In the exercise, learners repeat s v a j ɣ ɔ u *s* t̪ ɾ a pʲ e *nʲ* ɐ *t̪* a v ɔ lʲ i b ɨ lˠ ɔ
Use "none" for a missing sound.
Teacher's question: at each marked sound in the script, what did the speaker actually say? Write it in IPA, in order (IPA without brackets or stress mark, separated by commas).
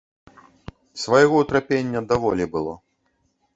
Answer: none, nʲː, d̪